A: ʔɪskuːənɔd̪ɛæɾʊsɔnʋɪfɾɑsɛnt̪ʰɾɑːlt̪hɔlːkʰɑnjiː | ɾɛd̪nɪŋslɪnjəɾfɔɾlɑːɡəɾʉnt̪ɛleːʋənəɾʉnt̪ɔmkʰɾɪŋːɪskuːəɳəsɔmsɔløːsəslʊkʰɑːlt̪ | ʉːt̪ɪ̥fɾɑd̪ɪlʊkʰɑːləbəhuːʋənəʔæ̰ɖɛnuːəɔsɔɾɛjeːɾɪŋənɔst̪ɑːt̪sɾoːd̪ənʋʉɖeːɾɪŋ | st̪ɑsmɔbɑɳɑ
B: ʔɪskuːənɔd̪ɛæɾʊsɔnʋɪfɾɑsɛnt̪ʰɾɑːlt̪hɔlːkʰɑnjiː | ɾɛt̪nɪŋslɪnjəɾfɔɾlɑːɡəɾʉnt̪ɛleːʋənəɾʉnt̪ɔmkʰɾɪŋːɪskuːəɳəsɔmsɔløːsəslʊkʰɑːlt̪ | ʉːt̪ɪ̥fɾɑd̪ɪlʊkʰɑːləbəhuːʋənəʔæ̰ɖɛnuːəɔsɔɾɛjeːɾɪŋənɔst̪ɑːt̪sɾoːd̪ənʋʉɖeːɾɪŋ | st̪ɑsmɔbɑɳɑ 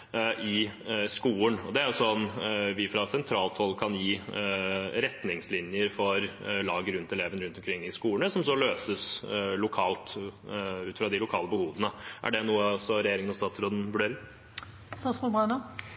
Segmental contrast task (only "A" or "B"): B